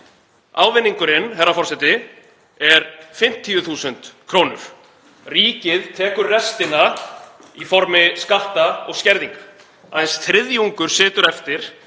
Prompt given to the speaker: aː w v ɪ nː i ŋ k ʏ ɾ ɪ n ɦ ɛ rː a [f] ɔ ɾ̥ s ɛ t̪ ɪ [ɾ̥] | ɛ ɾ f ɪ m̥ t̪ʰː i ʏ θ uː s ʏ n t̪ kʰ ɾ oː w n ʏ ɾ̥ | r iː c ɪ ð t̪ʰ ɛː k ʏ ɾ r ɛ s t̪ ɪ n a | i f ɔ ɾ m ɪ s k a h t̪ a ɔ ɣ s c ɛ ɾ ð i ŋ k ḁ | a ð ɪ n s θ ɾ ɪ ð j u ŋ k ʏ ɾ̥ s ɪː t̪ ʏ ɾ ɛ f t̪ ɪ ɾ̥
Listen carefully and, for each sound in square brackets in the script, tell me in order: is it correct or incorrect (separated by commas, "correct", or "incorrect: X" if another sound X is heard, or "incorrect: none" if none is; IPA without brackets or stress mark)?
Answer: correct, incorrect: none